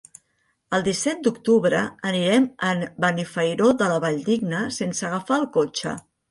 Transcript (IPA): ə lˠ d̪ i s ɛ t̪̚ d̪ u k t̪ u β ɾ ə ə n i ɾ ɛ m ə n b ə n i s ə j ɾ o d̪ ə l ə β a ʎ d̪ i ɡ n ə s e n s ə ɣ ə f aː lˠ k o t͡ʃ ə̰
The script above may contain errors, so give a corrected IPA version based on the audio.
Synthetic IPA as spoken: ə lˠ d̪ i s ɛ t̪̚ d̪ u k t̪ u β ɾ ə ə n i ɾ ɛ m ə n b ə n i f ə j ɾ o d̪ ə l ə β a ʎ d̪ i ɡ n ə s e n s ə ɣ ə f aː lˠ k o t͡ʃ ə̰